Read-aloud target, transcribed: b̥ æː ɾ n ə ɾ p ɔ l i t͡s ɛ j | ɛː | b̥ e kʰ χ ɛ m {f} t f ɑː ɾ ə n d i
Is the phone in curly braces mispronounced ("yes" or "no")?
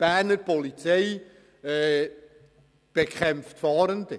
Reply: no